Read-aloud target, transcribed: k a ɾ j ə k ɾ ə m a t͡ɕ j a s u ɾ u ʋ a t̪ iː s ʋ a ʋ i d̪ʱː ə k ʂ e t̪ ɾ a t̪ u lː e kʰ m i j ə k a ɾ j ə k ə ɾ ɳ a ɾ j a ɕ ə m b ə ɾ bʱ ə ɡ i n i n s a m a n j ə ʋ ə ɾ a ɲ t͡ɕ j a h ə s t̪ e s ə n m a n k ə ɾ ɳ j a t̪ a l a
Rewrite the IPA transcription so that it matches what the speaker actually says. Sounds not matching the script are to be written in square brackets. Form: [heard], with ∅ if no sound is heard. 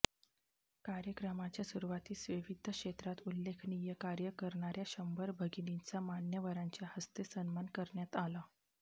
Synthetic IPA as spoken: k a ɾ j ə k ɾ ə m a t͡ɕ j a s u ɾ u ʋ a t̪ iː s ʋ [i] ʋ i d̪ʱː ə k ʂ e t̪ ɾ a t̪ u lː e kʰ [n] i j ə k a ɾ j ə k ə ɾ ɳ a ɾ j a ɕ ə m b ə ɾ bʱ ə ɡ i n i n [t͡s] a m a n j ə ʋ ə ɾ a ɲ t͡ɕ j a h ə s t̪ e s ə n m a n k ə ɾ ɳ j a t̪ a l a

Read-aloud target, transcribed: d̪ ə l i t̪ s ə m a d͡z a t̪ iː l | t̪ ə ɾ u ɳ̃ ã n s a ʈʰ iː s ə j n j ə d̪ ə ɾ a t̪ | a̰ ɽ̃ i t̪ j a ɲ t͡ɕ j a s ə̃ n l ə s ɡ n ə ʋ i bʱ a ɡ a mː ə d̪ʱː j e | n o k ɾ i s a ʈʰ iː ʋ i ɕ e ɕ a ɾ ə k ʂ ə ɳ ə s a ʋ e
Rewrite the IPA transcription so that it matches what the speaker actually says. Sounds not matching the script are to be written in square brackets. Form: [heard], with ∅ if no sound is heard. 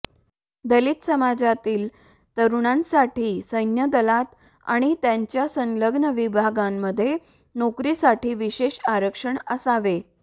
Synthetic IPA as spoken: d̪ ə l i t̪ s ə m a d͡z a t̪ iː l | t̪ ə ɾ u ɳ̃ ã n s a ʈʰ iː s ə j n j ə d̪ ə [l] a t̪ | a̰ ɽ̃ i t̪ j a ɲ t͡ɕ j a s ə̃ n l ə [∅] ɡ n ə ʋ i bʱ a ɡ a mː ə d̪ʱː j e | n o k ɾ i s a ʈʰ iː ʋ i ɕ e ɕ a ɾ ə k ʂ ə ɳ ə s a ʋ e

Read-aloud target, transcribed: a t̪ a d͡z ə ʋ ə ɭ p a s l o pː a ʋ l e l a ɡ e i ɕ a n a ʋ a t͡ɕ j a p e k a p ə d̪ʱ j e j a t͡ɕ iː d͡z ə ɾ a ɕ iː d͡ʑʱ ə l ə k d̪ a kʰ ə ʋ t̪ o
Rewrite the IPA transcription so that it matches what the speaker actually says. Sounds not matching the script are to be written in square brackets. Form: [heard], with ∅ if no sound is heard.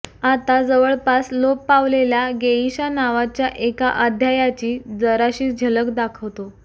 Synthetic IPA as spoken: a t̪ a d͡z ə ʋ ə ɭ p a s l o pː a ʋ l e l a ɡ e i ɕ a n a ʋ a t͡ɕ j a [ʔ] e k a [ʔ] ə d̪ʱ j [a] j a t͡ɕ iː d͡z ə ɾ a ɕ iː d͡ʑʱ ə l ə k d̪ a kʰ ə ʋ t̪ o

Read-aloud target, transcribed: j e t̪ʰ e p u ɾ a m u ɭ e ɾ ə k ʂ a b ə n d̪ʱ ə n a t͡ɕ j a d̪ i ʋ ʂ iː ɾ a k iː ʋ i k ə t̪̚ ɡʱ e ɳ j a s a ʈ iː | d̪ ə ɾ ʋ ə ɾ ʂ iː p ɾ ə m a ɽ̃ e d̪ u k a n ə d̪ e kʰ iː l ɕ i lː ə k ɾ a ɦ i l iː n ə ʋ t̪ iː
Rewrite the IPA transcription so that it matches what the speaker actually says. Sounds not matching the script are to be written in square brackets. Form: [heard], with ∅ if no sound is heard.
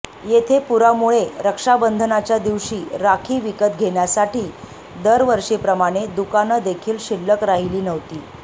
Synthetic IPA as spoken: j e t̪ʰ e p u ɾ a m u ɭ e ɾ ə k ʂ a b ə n d̪ʱ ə n a t͡ɕ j a d̪ i ʋ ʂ iː ɾ a [kʰ] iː ʋ i k ə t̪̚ ɡʱ e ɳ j a s a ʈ iː | d̪ ə ɾ ʋ ə ɾ ʂ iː p ɾ ə m a ɽ̃ e d̪ u k a n ə d̪ e kʰ iː l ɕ i lː ə k ɾ a ɦ i l iː n ə ʋ t̪ iː

